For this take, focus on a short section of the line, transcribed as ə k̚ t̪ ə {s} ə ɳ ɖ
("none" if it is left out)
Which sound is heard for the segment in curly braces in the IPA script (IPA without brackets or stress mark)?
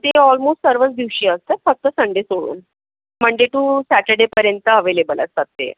s